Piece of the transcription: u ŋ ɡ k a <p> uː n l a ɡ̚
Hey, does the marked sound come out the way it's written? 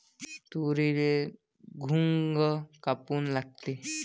yes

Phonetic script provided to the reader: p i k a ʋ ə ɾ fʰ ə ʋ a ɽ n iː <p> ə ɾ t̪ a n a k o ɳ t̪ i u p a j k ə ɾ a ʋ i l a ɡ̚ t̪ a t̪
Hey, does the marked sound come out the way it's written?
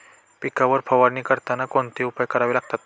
no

